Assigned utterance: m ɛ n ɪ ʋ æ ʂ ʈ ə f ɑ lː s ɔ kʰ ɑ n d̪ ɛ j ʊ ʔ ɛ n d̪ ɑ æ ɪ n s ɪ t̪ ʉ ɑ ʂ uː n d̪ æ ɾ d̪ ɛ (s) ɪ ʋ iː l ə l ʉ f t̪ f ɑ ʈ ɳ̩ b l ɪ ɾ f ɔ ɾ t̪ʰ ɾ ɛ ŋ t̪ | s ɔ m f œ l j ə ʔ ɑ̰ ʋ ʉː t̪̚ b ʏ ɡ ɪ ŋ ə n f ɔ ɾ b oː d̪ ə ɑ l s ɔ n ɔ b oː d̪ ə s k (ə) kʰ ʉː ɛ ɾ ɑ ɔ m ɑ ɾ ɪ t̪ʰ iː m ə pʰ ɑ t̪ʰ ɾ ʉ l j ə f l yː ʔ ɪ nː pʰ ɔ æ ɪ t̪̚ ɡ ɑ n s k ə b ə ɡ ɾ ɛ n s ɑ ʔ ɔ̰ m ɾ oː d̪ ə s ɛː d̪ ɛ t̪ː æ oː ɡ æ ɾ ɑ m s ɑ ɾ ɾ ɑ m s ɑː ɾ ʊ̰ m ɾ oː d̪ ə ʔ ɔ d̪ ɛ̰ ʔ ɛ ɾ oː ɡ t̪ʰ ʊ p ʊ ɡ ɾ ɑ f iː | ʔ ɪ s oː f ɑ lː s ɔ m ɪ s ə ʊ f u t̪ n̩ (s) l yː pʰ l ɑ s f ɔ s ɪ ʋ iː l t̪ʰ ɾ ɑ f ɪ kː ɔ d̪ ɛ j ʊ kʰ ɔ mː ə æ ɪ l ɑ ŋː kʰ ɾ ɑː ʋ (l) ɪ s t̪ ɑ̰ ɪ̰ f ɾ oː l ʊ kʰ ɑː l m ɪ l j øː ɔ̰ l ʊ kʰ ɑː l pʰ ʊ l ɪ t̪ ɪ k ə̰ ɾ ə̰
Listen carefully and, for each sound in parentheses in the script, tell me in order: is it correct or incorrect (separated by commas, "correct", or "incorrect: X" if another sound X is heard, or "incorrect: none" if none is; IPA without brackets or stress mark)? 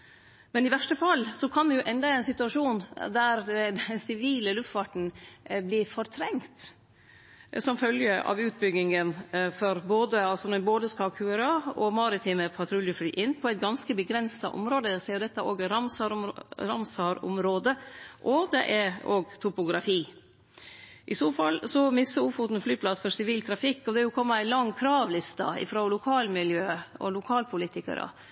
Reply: correct, incorrect: ɑ, incorrect: f, correct